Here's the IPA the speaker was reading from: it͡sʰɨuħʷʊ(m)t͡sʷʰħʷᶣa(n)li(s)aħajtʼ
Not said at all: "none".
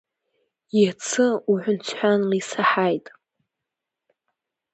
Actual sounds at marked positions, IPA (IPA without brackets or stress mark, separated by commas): n, n, s